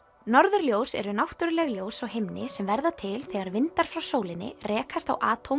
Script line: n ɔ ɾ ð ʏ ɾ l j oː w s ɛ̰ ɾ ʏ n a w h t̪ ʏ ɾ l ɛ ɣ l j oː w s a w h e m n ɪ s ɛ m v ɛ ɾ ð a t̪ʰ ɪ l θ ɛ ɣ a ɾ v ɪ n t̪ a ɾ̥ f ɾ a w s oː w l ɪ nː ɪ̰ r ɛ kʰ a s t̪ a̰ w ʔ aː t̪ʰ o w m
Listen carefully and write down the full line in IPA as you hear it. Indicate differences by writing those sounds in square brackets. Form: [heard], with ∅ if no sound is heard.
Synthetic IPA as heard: n ɔ ɾ ð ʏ ɾ l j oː w s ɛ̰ ɾ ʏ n a w h t̪ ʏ ɾ l ɛ ɣ l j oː w s a w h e m n ɪ s ɛ m v ɛ ɾ ð a t̪ʰ ɪ l θ ɛ ɣ a ɾ v ɪ n t̪ a ɾ̥ f ɾ a w s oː w l ɪ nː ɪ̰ r [ɛː] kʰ a s t̪ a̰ w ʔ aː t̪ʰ o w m